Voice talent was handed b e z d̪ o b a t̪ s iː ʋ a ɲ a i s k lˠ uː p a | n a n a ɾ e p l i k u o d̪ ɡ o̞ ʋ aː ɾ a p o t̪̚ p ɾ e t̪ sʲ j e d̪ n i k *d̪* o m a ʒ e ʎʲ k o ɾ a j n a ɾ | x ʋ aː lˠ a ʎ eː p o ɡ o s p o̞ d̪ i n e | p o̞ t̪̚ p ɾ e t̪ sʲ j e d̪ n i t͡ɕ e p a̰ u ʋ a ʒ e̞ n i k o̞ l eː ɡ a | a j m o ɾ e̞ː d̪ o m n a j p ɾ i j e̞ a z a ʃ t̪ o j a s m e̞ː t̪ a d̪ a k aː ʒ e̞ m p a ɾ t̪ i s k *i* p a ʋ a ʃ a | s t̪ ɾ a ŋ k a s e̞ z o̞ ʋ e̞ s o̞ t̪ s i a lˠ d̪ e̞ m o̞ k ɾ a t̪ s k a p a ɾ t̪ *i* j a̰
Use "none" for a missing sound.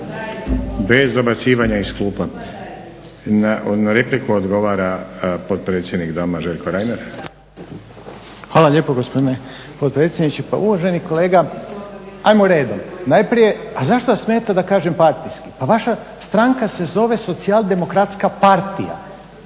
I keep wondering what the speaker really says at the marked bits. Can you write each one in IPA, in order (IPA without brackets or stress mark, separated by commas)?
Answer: d̪, i, i